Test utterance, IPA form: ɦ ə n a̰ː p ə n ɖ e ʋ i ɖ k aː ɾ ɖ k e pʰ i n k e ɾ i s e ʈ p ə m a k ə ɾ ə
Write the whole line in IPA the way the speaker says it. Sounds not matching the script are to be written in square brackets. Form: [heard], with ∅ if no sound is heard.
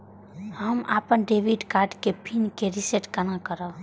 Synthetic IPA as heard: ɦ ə [m] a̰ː p ə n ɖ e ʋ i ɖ k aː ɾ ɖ k e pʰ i n k e ɾ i s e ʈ [k] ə [n] a k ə ɾ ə

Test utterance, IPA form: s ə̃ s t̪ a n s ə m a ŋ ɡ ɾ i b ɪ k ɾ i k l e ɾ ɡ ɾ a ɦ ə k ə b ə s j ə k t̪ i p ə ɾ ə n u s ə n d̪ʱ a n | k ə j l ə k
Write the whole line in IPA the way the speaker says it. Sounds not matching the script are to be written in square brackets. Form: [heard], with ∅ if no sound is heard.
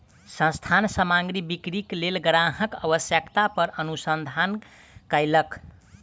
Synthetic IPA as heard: s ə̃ s [t̪ʰ] a n s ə m a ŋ ɡ ɾ i b [i] k ɾ i k l e [l] ɡ ɾ a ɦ ə k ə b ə s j ə k t̪ [a] p ə ɾ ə n u s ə n d̪ʱ a n | k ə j l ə k

